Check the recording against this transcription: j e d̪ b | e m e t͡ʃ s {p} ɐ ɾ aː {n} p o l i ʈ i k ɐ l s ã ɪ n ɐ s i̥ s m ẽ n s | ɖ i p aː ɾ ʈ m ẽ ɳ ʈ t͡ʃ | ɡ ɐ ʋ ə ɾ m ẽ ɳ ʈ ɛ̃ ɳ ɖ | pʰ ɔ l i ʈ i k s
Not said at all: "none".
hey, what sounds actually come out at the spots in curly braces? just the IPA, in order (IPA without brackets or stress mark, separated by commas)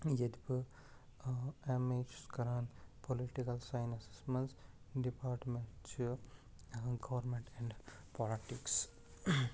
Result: k, n